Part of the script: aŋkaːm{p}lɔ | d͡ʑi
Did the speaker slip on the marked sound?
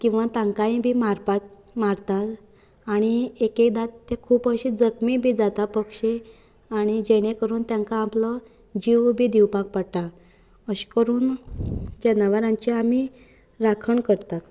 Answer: no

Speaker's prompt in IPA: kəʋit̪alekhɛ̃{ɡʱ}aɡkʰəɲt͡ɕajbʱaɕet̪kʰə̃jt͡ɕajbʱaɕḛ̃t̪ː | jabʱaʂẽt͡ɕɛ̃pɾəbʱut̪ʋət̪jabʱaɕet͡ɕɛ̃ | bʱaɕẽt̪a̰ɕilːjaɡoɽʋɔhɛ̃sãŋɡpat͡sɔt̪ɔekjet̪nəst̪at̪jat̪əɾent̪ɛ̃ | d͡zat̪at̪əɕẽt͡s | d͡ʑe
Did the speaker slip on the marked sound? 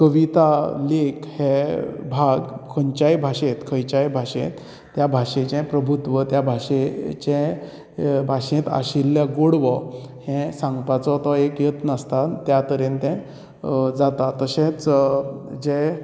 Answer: yes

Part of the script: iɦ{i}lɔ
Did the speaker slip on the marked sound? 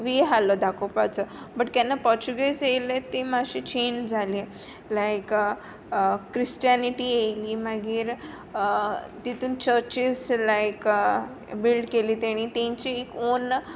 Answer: yes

